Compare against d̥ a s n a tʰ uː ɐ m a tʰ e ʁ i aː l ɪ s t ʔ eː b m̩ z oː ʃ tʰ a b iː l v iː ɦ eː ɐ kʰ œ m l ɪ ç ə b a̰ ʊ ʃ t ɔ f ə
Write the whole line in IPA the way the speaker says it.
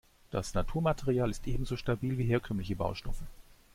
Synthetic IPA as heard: d̥ a s n a tʰ uː ɐ m a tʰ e ʁ i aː l ɪ s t ʔ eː b m̩ z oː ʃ t a b iː l v iː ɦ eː ɐ kʰ œ m l ɪ ç ə b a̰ ʊ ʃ t ɔ f ə